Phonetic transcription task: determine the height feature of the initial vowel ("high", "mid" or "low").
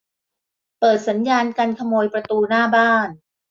mid